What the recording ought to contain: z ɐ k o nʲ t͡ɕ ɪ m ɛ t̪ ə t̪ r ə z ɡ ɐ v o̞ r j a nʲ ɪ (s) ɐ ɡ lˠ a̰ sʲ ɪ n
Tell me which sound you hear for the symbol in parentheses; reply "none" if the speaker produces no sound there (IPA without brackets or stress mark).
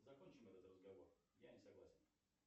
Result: s